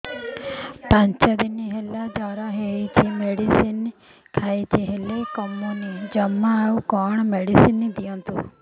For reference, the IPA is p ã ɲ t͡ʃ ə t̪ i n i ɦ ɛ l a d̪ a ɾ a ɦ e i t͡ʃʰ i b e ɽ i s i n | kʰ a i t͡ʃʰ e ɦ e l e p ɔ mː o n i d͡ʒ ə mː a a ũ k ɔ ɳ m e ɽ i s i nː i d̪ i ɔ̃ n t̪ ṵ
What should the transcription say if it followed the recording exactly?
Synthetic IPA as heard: p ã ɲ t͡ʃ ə d̪ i n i ɦ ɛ l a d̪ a ɾ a ɦ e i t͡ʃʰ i m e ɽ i s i n | kʰ a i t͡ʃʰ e ɦ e l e k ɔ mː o n i d͡ʒ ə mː a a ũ k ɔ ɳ m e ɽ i s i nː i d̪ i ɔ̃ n t̪ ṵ

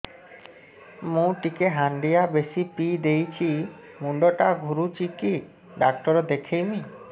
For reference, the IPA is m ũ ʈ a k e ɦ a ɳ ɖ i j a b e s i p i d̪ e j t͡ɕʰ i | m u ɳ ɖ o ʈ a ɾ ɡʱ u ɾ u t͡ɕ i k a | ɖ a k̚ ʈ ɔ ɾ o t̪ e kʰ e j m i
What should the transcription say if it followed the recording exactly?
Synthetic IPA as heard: m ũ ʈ i k e ɦ a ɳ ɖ i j a b e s i p i d̪ e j t͡ɕʰ i | m u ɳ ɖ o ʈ a ɡʱ u ɾ u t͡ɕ i k i | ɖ a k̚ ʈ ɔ ɾ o d̪ e kʰ e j m i

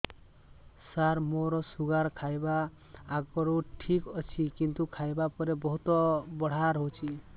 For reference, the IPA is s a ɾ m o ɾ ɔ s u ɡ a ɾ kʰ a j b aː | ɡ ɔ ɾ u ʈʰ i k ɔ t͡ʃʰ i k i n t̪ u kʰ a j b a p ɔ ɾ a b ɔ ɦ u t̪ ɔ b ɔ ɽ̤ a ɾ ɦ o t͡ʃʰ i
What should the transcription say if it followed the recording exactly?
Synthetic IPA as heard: s a ɾ m o ɾ ɔ s u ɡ a ɾ kʰ a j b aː | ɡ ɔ ɾ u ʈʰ i k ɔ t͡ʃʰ i k i n t̪ u kʰ a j b a p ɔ ɾ e b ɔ ɦ u t̪ ɔ b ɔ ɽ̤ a ɾ ɦ o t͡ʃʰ i

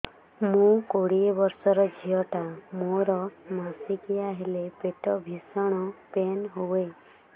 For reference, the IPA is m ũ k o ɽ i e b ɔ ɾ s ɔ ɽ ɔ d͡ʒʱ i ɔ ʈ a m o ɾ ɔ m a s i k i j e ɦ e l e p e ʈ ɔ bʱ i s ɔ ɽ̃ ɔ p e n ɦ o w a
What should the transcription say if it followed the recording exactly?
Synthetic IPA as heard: m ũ k o ɽ i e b ɔ ɾ s ɔ ɾ ɔ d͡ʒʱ i ɔ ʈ a m o ɾ ɔ m a s i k i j a ɦ e l e p e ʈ ɔ bʱ i s ɔ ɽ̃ ɔ p e n ɦ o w e

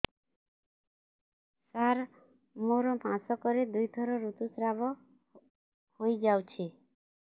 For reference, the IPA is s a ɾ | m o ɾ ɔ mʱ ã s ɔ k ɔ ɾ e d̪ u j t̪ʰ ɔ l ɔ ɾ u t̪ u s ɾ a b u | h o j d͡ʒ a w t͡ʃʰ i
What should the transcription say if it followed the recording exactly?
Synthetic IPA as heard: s a ɾ | m o ɾ ɔ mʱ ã s ɔ k ɔ ɾ e d̪ u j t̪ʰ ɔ ɾ ɔ ɾ u t̪ u s ɾ a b ɔ | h o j d͡ʒ a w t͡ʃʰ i

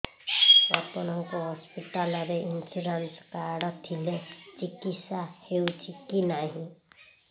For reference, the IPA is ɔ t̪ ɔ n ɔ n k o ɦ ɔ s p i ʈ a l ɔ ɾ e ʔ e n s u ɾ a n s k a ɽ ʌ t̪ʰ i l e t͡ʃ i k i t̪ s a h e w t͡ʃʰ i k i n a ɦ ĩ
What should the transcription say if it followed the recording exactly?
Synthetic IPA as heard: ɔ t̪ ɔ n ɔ ŋ k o ɦ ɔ s p i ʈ a l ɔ ɾ e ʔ i n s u ɾ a n s k a ɽ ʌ t̪ʰ i l e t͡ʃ i k i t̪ s a h e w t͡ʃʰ i k i n a ɦ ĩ

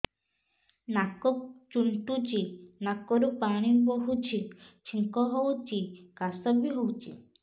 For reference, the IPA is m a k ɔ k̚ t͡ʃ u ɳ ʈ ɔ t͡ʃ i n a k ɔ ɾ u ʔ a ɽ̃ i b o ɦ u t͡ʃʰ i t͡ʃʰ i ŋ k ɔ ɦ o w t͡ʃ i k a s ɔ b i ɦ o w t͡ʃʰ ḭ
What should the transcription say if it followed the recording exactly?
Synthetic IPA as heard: n a k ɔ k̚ t͡ʃ u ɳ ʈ u t͡ʃ i n a k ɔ ɾ u p a ɽ̃ i b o ɦ u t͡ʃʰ i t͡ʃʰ i ŋ k ɔ ɦ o w t͡ʃ i k a s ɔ b i ɦ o w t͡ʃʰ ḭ

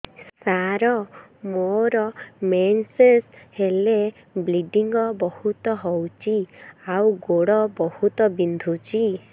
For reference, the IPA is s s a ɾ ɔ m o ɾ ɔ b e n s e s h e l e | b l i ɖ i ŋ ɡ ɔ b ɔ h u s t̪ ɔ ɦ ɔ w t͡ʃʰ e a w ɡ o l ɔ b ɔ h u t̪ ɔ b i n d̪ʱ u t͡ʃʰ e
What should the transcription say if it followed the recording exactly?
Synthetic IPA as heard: s s a ɾ ɔ m o ɾ ɔ m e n s e s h e l e | b l i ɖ i ŋ ɡ ɔ b ɔ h u t̪ ɔ ɦ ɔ w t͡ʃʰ i a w ɡ o ɽ ɔ b ɔ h u t̪ ɔ b i n d̪ʱ u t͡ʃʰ i

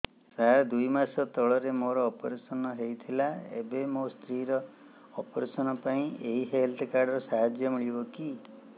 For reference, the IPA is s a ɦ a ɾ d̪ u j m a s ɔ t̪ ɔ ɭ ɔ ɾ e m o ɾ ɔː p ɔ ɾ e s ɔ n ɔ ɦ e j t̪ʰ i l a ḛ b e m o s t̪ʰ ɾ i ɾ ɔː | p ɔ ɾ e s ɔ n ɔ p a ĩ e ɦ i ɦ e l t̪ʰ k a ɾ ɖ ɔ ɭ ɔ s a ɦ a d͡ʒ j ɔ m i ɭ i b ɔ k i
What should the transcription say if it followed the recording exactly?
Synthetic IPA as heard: s a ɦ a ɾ d̪ u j m a s ɔ t̪ ɔ ɭ ɔ ɾ e m o ɾ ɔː p ɔ ɾ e s ɔ n ɔ ɦ e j t̪ʰ i l a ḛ b e m o s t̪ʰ ɾ i ɾ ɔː | p ɔ ɾ e s ɔ n ɔ p a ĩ e ɦ i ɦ e l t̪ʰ k a ɾ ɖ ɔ ɾ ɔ s a ɦ a d͡ʒ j ɔ m i ɭ i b ɔ k i

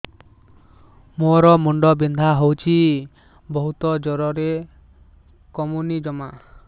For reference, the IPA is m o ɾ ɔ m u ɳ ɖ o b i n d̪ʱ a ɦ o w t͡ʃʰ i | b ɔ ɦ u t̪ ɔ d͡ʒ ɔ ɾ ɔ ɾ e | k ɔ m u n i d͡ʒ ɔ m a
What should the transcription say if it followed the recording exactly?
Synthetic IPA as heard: m o ɾ ɔ m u ɳ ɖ ɔ b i n d̪ʱ a ɦ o w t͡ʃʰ i | b ɔ ɦ u t̪ ɔ d͡ʒ ɔ ɾ ɔ ɾ e | k ɔ m u n i d͡ʒ ɔ m a

